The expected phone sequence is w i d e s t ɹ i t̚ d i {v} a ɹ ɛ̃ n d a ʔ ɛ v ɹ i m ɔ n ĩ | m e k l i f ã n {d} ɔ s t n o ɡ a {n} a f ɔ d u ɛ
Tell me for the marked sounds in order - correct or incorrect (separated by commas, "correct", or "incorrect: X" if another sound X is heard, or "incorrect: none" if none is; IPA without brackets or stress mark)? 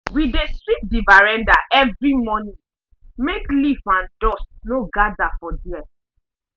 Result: correct, correct, incorrect: d